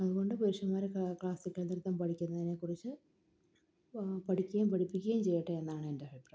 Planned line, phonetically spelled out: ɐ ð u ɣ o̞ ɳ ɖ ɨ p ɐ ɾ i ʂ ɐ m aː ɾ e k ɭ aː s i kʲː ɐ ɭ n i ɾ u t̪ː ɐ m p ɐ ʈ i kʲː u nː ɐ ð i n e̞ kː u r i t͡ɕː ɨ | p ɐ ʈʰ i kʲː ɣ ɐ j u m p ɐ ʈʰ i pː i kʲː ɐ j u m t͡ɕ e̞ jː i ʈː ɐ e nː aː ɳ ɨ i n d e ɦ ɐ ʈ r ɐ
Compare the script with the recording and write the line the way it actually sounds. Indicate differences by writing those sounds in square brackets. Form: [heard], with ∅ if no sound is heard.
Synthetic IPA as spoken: ɐ ð u ɣ o̞ ɳ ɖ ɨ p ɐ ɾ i ʂ ɐ m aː ɾ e k ɭ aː s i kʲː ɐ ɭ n i ɾ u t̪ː ɐ m p ɐ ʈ i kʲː u nː ɐ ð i n e̞ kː u r i t͡ɕː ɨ | p ɐ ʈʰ i kʲː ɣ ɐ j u m p ɐ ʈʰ i pː i kʲː ɐ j u m t͡ɕ e̞ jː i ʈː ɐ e nː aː ɳ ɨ [e] n d e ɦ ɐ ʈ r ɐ

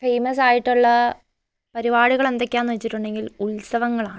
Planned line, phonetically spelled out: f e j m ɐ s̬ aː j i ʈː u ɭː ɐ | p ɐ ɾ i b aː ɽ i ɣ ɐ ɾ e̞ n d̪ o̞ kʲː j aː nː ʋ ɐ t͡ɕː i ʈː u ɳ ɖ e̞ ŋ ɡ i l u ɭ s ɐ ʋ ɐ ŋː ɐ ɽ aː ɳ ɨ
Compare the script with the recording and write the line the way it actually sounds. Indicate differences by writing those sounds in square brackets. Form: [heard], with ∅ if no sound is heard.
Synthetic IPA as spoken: f e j m ɐ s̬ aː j i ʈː u ɭː ɐ | p ɐ ɾ i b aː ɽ i ɣ ɐ [ɭ] e̞ n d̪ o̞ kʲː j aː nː ʋ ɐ t͡ɕː i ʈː u ɳ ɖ e̞ ŋ ɡ i l u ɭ s ɐ ʋ ɐ ŋː ɐ [ɭ] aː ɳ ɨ

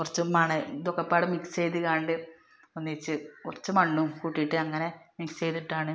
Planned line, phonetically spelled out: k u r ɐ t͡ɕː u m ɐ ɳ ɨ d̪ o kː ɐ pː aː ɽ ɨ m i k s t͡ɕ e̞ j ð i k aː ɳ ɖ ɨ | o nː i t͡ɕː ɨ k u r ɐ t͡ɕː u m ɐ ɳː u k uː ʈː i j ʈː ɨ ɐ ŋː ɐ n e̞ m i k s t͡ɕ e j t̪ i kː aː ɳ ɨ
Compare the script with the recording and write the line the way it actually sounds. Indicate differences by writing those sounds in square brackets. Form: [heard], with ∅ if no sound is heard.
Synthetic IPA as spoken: k u r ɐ t͡ɕː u m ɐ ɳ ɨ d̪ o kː ɐ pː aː ɽ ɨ m i k s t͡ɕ e̞ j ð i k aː ɳ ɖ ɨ | o nː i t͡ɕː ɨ k u r ɐ t͡ɕː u m ɐ ɳː u k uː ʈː i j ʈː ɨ ɐ ŋː ɐ n e̞ m i k s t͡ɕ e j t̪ i [ʈː] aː ɳ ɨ

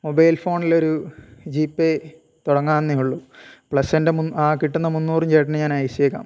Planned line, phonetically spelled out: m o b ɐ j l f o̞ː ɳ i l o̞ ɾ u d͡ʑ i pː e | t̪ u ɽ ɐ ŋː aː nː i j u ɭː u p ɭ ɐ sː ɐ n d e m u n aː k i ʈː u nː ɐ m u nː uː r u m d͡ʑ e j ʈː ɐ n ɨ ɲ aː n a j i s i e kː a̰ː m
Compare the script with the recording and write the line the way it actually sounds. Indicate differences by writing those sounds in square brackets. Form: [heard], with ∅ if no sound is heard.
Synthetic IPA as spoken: m o b ɐ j l f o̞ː ɳ i l o̞ ɾ u d͡ʑ [iː] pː e | t̪ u ɽ ɐ ŋː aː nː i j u ɭː u p ɭ ɐ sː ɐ n d e m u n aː k i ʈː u nː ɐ m u nː uː r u m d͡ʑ e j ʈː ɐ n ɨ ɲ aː n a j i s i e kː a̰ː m

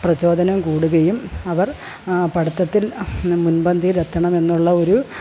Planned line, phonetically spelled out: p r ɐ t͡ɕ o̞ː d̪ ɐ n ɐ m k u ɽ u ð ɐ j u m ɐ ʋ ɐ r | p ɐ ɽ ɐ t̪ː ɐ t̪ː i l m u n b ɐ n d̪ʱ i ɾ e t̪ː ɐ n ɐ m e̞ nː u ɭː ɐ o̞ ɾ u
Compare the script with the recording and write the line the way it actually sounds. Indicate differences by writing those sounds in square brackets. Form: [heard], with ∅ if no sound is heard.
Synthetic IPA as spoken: p r ɐ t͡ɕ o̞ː d̪ ɐ n ɐ m k [uː] ɽ u [ɣ] ɐ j u m ɐ ʋ ɐ r | p ɐ ɽ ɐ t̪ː ɐ t̪ː i l m u n b ɐ n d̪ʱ i ɾ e t̪ː ɐ [ɳ] ɐ m e̞ nː u ɭː ɐ o̞ ɾ u

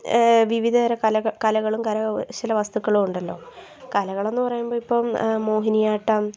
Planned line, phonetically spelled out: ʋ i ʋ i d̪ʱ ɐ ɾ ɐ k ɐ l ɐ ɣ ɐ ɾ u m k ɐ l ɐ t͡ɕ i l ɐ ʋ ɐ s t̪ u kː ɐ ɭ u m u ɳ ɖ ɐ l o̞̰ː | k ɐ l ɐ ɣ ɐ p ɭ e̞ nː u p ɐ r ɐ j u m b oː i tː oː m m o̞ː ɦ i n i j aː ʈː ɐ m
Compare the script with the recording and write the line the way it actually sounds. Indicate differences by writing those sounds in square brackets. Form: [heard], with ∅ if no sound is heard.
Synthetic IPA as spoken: ʋ i ʋ i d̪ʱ ɐ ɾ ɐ k ɐ l ɐ ɣ ɐ [ɭ] u m k ɐ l ɐ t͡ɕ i l ɐ ʋ ɐ s t̪ u kː ɐ ɭ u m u ɳ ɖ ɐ [lː] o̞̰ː | k ɐ l ɐ ɣ ɐ [∅] ɭ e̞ nː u p ɐ r ɐ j u m b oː i [pː] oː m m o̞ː ɦ i n i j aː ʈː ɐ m

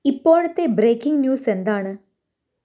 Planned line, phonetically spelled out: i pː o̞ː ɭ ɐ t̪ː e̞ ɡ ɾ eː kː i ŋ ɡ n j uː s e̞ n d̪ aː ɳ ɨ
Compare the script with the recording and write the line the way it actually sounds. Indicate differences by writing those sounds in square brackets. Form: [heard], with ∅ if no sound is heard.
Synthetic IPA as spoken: i pː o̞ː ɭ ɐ t̪ː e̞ [b] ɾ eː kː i ŋ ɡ n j uː s e̞ n d̪ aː ɳ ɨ

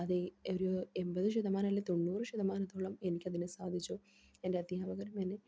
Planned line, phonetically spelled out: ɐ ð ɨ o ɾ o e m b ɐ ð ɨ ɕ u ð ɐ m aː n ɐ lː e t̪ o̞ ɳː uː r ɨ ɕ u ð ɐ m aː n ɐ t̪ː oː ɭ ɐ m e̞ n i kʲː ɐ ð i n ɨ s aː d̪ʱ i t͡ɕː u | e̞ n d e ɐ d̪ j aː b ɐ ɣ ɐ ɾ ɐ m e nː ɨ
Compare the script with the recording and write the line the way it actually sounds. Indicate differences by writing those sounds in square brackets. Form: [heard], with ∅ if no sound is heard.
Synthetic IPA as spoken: ɐ ð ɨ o ɾ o e m b ɐ ð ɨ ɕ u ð ɐ m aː n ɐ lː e t̪ o̞ ɳː uː r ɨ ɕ u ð ɐ m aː n ɐ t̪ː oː ɭ ɐ m e̞ n i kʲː ɐ ð i n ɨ s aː d̪ʱ i t͡ɕː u | e̞ n d e ɐ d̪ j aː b ɐ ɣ ɐ ɾ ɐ m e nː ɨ

